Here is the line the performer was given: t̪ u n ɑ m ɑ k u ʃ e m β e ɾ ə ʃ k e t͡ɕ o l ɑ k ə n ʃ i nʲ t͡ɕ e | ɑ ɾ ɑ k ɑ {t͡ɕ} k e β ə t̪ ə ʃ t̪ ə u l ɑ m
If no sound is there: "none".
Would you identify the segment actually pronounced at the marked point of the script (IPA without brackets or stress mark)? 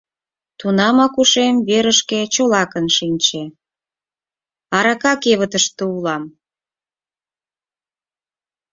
none